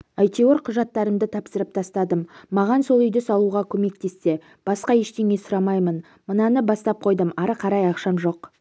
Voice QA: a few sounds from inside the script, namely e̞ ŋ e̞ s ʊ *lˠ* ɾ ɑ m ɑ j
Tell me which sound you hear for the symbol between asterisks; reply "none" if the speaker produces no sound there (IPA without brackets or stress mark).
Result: none